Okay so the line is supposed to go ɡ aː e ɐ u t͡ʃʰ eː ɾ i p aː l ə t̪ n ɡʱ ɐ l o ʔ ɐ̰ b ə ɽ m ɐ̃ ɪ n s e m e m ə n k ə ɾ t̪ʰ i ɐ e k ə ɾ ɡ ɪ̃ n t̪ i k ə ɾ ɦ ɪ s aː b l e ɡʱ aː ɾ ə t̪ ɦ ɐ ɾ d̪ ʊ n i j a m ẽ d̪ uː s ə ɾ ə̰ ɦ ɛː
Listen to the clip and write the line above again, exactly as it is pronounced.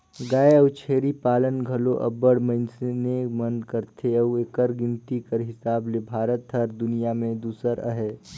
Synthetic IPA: ɡ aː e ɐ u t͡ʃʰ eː ɾ i p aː l ə n ɡʱ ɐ l o ʔ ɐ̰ b ə ɽ m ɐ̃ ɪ n s e n e m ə n k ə ɾ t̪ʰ e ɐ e k ə ɾ ɡ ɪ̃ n t̪ i k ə ɾ ɦ ɪ s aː b l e bʱ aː ɾ ə t̪ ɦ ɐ ɾ d̪ ʊ n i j a m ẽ d̪ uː s ə ɾ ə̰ ɦ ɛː